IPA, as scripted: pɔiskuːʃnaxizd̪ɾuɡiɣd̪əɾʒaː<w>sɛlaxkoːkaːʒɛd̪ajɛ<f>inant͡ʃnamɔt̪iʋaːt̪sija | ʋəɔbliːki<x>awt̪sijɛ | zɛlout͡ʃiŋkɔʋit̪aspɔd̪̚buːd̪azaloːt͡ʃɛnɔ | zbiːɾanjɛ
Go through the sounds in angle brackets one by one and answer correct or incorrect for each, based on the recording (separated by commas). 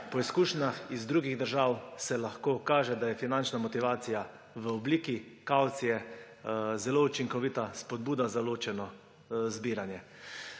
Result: correct, correct, incorrect